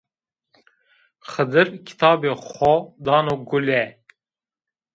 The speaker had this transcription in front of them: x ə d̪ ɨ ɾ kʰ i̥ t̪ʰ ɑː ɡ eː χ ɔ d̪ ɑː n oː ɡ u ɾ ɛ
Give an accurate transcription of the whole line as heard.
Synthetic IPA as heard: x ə d̪ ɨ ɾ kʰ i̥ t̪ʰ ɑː b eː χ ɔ d̪ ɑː n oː ɡ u l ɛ